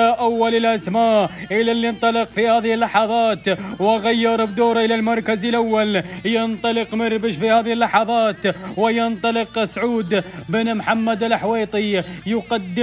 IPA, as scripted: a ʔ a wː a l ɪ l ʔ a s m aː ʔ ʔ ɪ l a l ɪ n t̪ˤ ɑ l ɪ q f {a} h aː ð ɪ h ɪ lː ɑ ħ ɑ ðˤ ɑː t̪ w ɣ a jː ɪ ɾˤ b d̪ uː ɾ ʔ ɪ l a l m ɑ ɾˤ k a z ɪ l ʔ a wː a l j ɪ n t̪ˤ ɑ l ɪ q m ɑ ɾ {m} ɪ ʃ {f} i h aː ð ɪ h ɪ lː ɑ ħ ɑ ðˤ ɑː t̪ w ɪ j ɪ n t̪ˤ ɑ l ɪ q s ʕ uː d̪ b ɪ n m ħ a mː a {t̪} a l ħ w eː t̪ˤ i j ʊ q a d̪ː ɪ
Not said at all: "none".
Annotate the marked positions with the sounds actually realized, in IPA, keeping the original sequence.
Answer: i, b, f, d̪

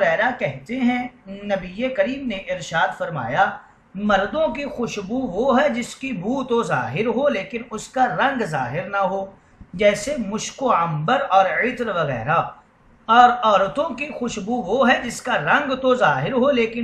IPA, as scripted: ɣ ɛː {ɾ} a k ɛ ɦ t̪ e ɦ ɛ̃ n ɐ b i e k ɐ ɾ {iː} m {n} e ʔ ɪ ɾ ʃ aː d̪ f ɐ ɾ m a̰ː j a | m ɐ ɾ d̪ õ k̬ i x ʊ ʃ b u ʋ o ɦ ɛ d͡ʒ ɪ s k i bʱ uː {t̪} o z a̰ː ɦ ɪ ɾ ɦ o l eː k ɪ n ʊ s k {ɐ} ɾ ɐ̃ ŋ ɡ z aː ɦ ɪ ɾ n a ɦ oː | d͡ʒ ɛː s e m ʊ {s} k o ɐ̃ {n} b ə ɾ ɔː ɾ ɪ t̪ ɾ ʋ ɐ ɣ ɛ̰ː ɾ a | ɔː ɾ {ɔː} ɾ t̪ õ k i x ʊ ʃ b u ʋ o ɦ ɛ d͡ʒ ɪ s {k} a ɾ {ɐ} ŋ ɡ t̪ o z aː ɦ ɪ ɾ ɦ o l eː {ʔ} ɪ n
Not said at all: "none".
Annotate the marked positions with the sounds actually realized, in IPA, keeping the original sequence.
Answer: ɾ, iː, n, t̪, a, ʃ, m, ɔː, k, ɐ̃, k

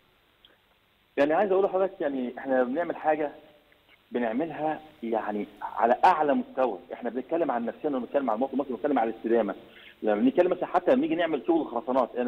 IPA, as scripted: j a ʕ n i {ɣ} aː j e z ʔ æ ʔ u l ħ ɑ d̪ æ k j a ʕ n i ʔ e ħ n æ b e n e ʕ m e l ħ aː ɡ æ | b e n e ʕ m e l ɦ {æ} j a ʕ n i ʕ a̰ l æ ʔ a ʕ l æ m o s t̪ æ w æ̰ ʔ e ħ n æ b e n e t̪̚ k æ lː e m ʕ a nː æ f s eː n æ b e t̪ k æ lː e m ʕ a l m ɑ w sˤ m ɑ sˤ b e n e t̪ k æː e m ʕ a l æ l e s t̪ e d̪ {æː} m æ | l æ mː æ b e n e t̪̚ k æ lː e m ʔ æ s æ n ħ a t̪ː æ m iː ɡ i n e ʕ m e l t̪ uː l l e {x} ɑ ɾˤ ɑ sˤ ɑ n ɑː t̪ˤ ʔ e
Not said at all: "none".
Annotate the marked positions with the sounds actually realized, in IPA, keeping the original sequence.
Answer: ʕ, æ, æː, x

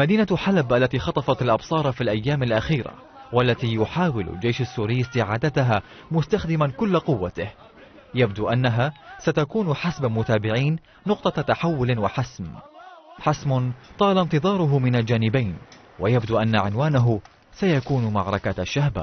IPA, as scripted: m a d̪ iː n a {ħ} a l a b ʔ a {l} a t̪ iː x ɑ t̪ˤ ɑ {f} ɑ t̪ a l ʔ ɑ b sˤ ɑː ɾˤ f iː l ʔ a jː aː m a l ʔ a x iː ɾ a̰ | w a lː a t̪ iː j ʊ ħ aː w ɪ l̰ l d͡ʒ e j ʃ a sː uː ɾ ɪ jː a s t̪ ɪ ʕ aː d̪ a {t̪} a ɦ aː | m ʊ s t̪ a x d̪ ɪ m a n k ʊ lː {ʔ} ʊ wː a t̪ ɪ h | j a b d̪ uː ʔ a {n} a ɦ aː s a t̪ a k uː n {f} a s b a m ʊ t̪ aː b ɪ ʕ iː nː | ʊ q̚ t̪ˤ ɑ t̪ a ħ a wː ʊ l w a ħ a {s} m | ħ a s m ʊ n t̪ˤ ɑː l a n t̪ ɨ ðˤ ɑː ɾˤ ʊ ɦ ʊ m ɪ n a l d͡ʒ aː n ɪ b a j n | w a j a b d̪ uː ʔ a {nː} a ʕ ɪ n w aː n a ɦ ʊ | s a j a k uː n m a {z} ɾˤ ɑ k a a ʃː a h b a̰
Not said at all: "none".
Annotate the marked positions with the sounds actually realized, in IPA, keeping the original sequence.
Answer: ħ, lː, f, t̪, q, nː, ħ, s, nː, ʕ

